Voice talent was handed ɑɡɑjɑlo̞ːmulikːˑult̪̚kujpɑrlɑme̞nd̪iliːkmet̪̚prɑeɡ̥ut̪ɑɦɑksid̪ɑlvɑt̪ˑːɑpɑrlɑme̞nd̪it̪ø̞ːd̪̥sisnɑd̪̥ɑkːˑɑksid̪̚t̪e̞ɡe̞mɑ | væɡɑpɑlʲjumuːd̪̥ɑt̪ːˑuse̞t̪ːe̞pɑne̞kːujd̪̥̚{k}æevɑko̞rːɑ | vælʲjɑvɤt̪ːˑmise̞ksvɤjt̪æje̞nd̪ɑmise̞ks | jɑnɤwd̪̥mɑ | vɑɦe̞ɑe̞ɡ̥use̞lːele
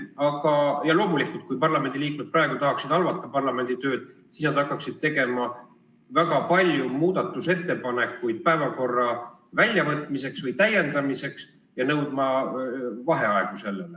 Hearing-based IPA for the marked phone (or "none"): p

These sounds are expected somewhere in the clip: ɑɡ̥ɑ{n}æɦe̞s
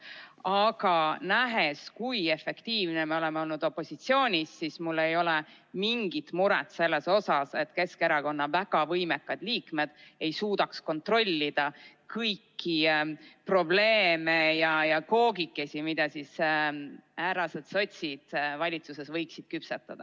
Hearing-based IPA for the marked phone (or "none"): n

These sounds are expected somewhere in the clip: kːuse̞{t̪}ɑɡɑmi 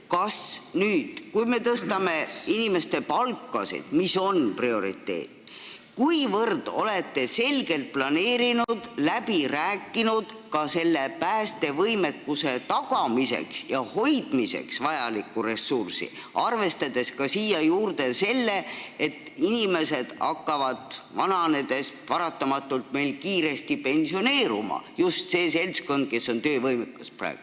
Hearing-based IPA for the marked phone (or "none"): t̪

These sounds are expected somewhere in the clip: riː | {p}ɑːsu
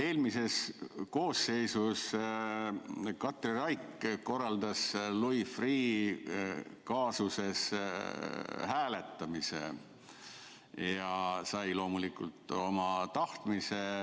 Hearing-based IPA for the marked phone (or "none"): k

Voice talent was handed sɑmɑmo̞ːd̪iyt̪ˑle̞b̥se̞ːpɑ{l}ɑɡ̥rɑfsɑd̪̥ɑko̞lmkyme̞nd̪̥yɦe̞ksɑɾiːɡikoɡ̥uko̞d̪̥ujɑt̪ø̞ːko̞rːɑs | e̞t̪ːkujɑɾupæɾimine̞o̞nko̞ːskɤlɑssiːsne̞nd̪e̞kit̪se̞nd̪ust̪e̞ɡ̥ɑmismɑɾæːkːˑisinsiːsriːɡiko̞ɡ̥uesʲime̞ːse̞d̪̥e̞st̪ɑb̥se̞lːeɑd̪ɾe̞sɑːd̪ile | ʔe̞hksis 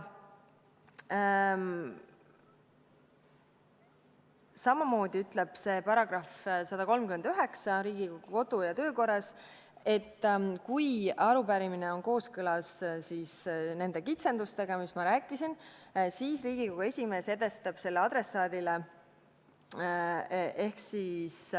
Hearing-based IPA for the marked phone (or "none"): ɾ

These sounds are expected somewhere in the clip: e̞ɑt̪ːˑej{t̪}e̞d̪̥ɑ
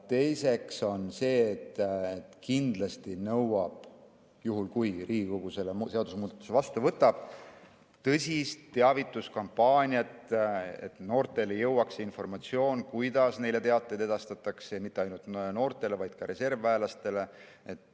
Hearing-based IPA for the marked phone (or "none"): d̪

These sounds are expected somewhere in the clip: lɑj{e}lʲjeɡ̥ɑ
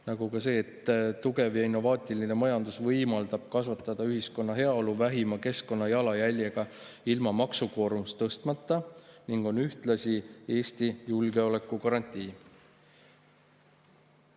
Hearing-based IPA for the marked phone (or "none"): æ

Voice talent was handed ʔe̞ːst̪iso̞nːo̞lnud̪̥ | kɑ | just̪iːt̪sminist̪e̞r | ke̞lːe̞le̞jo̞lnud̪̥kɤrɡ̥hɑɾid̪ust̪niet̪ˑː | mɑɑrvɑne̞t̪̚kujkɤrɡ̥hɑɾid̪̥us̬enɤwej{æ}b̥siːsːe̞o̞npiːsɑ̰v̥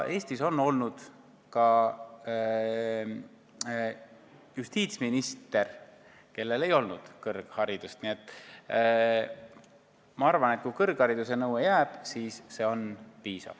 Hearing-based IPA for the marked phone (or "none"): æː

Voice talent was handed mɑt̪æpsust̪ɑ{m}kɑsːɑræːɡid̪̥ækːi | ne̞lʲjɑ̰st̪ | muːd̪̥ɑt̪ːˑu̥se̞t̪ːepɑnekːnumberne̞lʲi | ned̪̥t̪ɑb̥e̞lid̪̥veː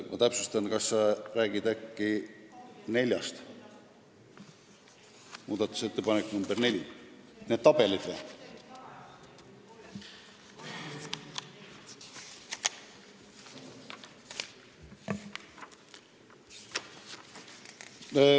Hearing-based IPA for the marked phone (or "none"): n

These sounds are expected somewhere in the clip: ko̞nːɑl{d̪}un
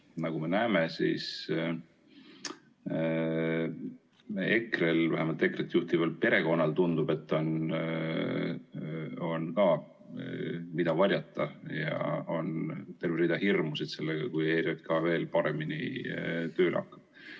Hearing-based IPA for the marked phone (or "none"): t̪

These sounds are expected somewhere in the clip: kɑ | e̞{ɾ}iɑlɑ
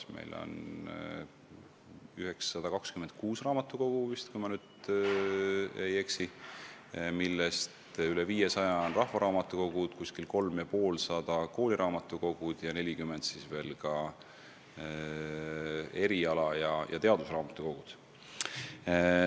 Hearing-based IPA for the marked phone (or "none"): ɾ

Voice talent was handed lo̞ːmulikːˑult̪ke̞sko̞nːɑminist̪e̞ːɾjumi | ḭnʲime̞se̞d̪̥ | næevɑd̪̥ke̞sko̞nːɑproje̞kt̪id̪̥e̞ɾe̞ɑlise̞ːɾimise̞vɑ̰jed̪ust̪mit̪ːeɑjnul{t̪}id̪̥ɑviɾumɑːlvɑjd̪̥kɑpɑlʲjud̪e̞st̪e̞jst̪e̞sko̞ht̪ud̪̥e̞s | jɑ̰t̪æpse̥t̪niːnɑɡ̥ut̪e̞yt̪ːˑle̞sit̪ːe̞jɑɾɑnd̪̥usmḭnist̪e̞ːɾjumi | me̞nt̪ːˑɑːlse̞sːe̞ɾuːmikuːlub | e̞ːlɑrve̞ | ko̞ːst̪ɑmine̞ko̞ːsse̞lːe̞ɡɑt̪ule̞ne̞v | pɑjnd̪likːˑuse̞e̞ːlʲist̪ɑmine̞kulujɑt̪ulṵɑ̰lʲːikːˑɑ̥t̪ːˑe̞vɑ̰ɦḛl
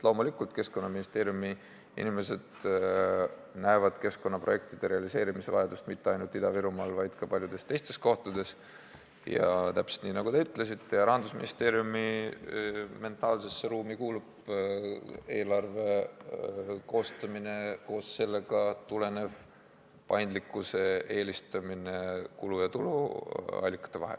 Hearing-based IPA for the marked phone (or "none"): t̪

